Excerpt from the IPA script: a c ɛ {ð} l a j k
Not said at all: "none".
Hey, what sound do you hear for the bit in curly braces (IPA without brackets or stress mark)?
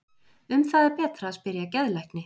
ð